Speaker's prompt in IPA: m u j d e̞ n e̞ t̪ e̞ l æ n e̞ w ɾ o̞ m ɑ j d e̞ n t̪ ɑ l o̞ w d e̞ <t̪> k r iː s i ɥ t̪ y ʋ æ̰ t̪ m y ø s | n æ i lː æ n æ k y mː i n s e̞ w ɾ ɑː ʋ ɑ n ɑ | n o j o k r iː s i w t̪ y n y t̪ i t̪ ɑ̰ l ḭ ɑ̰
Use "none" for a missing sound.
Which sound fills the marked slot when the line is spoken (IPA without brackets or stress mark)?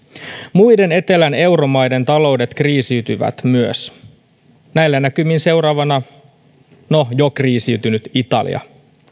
t̪